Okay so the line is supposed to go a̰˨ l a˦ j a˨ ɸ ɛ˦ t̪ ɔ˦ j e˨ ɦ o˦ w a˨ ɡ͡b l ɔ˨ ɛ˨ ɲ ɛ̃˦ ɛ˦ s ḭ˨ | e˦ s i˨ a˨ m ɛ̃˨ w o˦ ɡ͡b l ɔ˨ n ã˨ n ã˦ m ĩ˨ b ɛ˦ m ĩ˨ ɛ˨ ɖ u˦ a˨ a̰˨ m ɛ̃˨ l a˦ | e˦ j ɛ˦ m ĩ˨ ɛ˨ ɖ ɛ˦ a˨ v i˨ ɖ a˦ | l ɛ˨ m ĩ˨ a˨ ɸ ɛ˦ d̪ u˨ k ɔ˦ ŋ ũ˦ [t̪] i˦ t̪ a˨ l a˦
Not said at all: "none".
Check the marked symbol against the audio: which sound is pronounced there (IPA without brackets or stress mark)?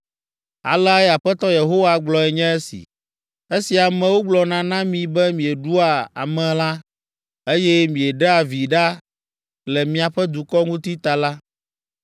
t̪